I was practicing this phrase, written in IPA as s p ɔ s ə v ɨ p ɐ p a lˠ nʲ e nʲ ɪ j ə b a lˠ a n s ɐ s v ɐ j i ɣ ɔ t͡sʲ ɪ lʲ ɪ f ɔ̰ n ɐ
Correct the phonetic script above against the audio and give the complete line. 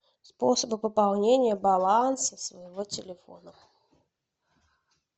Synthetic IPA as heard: s p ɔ s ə b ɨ p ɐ p a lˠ nʲ e nʲ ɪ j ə b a lˠ a n s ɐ s v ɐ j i v ɔ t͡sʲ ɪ lʲ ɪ f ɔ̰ n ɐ